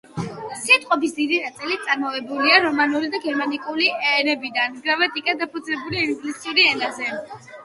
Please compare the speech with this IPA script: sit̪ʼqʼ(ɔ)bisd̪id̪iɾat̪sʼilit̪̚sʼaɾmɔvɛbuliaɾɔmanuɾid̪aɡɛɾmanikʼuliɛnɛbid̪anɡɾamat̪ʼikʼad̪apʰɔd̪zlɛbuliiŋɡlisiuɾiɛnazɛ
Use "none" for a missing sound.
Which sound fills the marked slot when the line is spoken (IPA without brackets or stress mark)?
ɔ